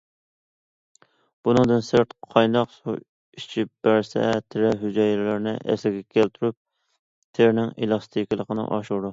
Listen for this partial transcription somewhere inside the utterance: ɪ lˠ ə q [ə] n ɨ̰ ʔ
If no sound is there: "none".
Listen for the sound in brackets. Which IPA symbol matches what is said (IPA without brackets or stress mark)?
ə